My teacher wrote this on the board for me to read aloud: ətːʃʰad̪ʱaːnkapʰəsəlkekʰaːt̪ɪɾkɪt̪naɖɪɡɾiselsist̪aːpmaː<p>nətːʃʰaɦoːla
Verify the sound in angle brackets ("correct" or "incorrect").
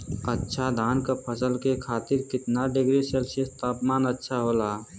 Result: incorrect